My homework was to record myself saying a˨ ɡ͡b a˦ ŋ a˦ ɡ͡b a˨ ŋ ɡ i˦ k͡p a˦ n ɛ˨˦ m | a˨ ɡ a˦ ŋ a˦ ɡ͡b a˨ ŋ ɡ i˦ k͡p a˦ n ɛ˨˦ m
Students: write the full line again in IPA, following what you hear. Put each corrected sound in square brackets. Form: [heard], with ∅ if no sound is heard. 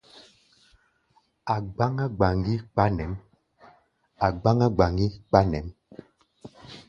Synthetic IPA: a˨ ɡ͡b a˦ ŋ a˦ ɡ͡b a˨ ŋ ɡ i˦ k͡p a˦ n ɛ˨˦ m | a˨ [ɡ͡b] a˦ ŋ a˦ ɡ͡b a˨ ŋ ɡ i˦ k͡p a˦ n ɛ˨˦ m

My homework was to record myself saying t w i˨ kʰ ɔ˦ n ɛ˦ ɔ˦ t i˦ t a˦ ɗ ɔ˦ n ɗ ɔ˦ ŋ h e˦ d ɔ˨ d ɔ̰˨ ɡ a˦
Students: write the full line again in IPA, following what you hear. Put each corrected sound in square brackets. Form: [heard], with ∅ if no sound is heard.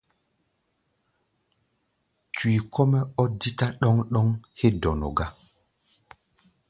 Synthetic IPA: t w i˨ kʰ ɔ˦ [m] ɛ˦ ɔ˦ [d] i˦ t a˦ ɗ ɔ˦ [ŋ] ɗ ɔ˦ ŋ h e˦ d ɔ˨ [n] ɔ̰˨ ɡ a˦

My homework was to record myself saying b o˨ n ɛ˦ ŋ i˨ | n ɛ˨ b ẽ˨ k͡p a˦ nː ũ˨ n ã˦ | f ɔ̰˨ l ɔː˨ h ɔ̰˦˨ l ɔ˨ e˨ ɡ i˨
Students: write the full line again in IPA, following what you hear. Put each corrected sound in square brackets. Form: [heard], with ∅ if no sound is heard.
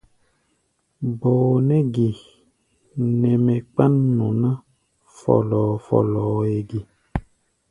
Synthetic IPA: b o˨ n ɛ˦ [ɡ] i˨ | n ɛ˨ [m] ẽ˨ k͡p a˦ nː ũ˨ n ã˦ | f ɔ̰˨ l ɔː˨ [f] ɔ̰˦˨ l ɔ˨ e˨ ɡ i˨

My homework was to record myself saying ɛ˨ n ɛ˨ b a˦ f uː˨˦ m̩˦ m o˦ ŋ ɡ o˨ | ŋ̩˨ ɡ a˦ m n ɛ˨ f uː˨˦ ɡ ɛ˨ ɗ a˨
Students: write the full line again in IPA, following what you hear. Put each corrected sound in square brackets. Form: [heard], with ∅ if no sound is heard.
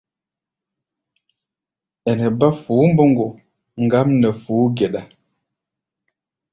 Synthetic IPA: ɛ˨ n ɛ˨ b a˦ f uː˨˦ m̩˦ [b] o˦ ŋ ɡ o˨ | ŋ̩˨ ɡ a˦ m n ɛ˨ f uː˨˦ ɡ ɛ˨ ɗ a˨

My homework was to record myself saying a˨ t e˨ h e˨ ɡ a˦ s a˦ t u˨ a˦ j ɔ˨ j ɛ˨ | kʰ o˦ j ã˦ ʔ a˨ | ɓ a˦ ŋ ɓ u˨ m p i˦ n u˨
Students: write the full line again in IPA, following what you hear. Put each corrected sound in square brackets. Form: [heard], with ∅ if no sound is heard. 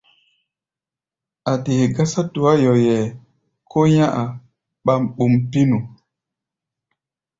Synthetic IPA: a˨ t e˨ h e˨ ɡ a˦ s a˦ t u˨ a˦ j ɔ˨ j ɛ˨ | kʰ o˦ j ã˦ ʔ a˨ | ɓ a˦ [m] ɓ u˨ m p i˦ n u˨

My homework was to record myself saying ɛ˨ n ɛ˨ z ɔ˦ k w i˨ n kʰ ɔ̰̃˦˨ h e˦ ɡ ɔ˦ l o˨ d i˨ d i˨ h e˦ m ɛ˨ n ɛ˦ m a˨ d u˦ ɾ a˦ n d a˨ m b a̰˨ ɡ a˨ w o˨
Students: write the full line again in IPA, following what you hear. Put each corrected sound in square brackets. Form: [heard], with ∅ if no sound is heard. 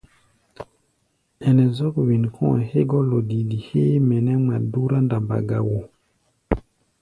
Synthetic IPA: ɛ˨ n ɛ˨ z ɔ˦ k w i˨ n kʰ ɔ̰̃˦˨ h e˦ ɡ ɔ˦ l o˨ d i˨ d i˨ h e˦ m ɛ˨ n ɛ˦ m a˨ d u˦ ɾ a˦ n d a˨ m b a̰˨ ɡ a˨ w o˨

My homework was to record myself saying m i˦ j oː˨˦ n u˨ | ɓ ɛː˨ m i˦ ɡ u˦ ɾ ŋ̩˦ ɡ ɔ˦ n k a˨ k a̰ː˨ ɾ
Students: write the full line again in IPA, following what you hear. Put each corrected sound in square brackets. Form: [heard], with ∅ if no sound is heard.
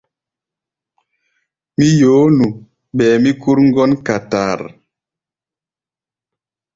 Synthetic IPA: m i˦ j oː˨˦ n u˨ | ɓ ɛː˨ m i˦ [k] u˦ ɾ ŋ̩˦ ɡ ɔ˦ n k a˨ [t] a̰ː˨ ɾ

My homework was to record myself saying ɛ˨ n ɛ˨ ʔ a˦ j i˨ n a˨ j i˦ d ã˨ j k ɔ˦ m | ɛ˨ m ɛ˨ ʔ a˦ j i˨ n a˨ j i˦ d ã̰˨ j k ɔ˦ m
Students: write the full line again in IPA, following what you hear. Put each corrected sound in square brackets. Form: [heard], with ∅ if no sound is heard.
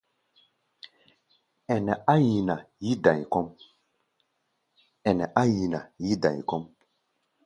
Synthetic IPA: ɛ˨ n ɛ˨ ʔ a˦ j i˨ n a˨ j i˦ d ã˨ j k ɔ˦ m | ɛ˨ [n] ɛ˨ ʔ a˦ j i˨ n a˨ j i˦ d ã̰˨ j k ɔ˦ m

